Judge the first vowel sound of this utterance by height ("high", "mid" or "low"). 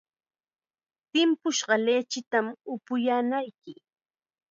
high